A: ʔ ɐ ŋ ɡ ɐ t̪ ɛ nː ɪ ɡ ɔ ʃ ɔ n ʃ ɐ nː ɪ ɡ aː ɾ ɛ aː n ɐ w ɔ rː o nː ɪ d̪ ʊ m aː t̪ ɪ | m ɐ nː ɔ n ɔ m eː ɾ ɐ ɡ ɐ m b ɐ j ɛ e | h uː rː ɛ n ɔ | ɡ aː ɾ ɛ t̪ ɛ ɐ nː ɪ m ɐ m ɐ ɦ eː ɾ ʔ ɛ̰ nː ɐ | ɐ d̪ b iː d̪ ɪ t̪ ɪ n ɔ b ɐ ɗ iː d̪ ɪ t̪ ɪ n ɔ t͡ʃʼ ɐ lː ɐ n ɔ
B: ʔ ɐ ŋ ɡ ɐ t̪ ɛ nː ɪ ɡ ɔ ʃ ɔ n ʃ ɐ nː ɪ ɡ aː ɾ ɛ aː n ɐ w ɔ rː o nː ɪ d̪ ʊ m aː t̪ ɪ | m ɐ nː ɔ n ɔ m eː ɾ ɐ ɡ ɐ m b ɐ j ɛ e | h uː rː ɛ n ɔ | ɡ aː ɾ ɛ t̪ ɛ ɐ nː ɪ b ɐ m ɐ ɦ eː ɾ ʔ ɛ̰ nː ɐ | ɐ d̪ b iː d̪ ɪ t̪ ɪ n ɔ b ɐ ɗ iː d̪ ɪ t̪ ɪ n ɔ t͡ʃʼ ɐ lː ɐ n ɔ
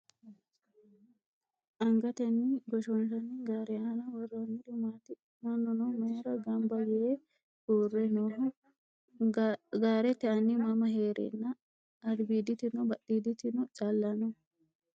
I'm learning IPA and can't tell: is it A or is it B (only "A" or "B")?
A